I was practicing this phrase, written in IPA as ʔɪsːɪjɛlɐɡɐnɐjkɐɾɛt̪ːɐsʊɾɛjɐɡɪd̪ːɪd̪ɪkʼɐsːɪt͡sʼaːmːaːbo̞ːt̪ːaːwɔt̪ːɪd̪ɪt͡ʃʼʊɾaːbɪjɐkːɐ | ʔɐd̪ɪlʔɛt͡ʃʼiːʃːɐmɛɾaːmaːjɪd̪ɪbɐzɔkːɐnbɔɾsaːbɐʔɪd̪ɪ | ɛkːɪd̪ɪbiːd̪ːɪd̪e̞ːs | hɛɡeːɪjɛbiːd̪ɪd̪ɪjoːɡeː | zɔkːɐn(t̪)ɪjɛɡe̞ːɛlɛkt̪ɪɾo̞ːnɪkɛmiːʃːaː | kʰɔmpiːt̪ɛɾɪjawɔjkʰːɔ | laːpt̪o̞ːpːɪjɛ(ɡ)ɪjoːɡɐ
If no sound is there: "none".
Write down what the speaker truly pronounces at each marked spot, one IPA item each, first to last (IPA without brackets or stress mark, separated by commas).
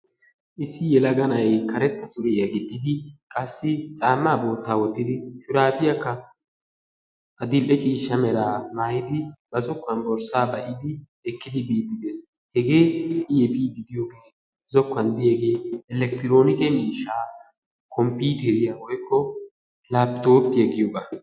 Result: d̪, ɡ